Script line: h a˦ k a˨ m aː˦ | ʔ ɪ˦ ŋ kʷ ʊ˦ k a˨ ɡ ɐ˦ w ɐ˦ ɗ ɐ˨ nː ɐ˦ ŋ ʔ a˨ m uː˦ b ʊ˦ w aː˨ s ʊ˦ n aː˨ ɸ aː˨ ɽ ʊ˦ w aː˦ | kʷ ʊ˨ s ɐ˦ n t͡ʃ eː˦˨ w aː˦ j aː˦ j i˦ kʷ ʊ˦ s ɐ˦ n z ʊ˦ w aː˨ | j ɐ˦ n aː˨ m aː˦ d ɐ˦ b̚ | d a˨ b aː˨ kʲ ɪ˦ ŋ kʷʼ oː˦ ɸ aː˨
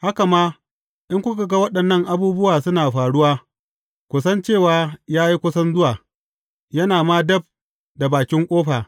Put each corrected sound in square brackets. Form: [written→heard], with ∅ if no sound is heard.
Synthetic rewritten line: h a˦ k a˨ m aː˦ | ʔ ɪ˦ ŋ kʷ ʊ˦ k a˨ ɡ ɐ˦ w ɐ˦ ɗ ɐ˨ nː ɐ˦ ŋ ʔ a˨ [m→b] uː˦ b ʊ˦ w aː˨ s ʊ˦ n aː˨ ɸ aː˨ ɽ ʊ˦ w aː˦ | kʷ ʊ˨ s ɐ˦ n t͡ʃ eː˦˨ w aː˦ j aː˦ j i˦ kʷ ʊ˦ s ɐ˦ n z ʊ˦ w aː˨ | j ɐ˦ n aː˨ m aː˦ d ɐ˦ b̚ | d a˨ b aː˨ kʲ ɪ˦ ŋ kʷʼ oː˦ ɸ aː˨